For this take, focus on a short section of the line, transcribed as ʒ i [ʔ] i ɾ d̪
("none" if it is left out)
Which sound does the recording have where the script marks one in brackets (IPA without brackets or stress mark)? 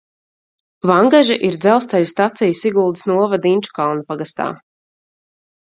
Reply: ʔ